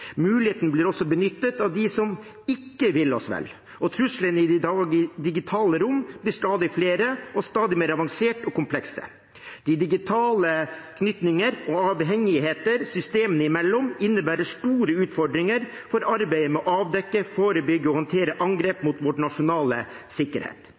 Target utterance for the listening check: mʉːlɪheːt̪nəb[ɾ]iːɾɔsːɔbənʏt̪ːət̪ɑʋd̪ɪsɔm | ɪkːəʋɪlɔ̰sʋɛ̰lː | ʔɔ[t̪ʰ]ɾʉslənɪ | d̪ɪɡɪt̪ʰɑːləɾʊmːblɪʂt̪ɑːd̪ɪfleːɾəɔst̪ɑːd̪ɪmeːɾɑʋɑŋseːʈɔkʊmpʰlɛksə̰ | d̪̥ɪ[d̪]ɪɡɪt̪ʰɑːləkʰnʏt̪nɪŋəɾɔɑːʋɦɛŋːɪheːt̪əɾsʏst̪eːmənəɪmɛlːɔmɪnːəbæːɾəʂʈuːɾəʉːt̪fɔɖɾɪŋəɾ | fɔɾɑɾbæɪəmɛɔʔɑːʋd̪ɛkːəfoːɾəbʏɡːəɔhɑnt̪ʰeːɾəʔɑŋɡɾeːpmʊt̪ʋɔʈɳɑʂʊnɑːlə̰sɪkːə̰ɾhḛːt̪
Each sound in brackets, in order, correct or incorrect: incorrect, correct, correct

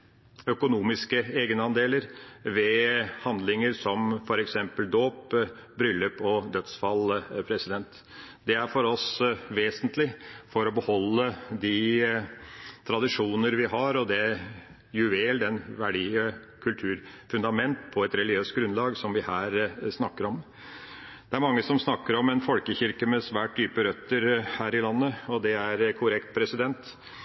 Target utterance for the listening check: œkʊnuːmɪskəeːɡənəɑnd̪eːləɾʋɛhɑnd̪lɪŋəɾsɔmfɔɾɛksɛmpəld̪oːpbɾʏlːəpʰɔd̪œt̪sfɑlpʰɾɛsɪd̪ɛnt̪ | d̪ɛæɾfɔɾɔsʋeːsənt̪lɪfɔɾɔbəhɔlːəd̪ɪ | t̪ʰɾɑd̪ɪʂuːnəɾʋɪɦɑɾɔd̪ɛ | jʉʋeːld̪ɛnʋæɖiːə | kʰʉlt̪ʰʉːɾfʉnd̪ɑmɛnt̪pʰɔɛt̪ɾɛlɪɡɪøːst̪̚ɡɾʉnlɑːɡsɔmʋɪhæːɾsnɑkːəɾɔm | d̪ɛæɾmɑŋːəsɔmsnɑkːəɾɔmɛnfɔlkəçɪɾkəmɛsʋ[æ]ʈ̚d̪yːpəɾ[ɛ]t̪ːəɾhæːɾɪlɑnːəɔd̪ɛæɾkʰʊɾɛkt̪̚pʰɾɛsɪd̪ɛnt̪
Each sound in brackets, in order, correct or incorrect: incorrect, incorrect

